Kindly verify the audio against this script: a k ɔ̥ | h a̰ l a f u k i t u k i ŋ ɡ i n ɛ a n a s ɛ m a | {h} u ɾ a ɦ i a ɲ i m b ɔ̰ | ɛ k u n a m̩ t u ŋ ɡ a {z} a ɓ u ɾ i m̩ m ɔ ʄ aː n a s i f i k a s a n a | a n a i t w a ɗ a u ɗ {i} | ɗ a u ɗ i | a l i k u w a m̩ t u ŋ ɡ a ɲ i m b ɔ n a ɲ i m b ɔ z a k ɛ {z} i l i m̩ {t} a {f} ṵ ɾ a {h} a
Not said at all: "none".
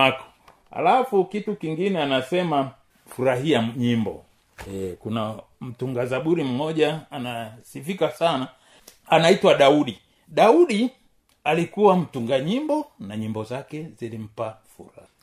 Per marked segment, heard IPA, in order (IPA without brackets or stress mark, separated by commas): f, z, i, z, p, f, h